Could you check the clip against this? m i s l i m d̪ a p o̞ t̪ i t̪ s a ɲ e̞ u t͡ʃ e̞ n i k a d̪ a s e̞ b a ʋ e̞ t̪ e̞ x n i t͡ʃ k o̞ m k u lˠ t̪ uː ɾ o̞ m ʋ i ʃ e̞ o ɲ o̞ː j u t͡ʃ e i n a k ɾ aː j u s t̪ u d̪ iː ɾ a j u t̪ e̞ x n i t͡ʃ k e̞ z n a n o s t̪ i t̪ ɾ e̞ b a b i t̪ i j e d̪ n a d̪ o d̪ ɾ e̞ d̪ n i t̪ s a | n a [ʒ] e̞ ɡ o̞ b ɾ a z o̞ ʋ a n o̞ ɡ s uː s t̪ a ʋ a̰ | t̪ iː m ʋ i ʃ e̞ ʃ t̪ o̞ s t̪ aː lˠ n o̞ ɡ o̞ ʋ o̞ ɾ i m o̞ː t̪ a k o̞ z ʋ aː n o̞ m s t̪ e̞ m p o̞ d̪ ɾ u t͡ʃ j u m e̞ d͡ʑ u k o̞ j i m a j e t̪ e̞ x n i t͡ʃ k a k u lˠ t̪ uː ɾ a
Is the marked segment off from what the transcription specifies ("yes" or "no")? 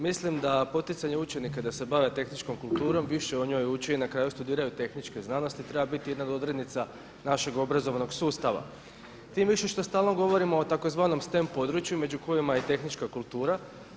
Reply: yes